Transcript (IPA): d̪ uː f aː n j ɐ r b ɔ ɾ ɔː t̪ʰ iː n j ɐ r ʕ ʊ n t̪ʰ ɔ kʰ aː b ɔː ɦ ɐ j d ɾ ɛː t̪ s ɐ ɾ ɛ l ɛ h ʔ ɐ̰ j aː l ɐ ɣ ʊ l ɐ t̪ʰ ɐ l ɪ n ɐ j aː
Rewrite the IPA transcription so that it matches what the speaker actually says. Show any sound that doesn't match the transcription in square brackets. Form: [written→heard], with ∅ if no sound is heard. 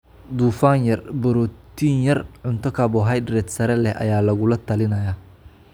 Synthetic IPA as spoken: d̪ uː f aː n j ɐ r b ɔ ɾ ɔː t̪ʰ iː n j ɐ r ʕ ʊ n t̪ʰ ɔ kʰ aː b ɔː ɦ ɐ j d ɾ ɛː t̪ s ɐ ɾ ɛ l ɛ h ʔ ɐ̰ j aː l ɐ ɣ ʊ l ɐ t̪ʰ ɐ l ɪ n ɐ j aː